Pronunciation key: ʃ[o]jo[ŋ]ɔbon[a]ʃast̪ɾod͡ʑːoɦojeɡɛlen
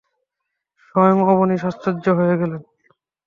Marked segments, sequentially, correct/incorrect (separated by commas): incorrect, correct, incorrect